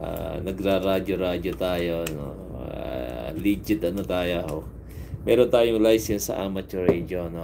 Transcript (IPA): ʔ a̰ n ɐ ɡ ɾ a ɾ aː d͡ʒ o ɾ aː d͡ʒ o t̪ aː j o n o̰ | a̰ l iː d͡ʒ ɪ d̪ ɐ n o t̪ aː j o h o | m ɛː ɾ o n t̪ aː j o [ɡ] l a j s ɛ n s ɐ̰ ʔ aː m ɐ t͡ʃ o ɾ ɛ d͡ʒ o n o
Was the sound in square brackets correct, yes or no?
no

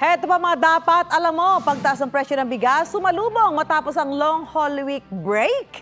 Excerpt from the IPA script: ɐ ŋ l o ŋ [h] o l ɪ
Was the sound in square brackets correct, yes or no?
yes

